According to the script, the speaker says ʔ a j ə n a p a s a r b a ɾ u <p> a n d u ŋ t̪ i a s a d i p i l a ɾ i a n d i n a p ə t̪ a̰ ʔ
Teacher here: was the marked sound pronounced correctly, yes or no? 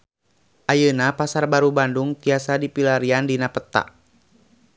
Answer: no